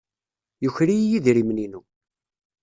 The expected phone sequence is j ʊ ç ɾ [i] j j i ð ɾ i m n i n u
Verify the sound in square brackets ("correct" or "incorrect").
correct